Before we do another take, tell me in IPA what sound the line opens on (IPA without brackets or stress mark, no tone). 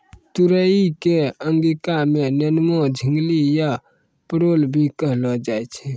t̪